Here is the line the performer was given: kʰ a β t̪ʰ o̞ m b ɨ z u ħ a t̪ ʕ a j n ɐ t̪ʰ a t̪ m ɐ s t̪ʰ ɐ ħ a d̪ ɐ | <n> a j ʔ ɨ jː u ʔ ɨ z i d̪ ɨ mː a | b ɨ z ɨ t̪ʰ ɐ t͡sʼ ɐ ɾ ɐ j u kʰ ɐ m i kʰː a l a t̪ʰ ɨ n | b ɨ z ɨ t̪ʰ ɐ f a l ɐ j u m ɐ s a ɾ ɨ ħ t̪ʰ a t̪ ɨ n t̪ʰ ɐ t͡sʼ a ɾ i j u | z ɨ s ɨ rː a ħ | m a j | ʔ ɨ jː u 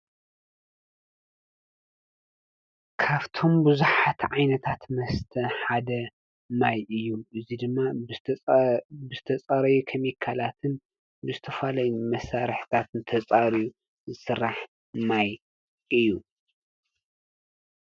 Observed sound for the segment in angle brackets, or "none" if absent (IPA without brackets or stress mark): m